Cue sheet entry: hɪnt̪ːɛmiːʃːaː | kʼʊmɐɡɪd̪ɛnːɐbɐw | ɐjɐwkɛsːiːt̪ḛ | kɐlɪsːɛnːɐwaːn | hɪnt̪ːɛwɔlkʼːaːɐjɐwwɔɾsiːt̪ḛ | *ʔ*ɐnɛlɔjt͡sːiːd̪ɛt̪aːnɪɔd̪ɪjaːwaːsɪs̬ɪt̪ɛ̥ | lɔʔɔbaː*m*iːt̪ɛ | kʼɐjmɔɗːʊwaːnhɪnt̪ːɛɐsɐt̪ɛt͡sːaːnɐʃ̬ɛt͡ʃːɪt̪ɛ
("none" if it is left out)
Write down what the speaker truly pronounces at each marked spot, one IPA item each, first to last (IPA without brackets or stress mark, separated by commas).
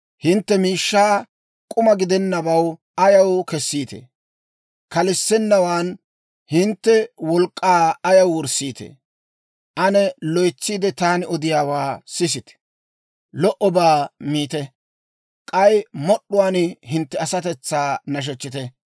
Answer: ʔ, m